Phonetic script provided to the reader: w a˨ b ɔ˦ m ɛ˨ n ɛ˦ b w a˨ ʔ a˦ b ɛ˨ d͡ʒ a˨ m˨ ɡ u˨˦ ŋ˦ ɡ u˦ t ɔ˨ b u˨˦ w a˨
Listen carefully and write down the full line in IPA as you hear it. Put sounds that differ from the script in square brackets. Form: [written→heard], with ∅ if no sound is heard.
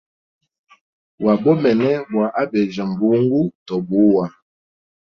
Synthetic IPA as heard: w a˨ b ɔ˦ m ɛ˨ n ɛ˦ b w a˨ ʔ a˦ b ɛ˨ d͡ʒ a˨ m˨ [ɡ→b] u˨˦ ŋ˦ ɡ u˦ t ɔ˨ b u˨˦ w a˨